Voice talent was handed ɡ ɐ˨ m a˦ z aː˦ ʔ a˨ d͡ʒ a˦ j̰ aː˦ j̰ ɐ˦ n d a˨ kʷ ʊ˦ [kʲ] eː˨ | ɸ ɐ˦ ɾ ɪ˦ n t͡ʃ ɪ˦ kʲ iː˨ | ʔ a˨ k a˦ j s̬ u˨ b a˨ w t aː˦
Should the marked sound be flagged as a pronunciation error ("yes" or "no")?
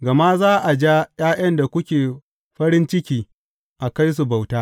no